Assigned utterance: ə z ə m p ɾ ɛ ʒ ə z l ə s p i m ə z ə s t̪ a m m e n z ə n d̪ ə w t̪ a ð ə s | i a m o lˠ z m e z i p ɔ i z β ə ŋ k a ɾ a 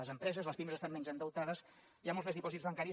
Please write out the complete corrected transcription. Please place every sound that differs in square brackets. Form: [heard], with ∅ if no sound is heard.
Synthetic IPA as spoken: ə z ə m p ɾ ɛ [z] ə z l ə s p i m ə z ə s t̪ a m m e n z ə n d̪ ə w t̪ a ð ə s | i a m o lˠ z m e z i p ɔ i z β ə ŋ k a ɾ [i]